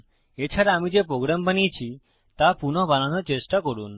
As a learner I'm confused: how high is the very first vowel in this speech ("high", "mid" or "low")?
mid